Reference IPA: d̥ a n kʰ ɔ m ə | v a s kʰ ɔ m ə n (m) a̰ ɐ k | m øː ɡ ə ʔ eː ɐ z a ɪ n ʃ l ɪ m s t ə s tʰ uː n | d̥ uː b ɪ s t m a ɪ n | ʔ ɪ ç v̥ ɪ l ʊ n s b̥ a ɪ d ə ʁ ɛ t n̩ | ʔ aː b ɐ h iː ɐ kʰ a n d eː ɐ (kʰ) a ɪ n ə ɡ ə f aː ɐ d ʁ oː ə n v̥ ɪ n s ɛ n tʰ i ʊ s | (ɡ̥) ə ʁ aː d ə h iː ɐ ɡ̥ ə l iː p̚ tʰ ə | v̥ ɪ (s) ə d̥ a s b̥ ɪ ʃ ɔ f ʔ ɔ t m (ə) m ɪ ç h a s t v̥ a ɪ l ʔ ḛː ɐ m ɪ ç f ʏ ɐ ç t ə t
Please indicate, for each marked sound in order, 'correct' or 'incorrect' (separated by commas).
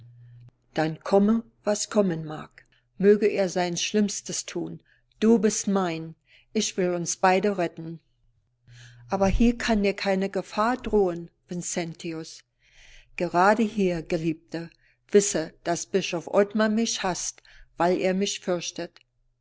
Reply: correct, correct, correct, correct, incorrect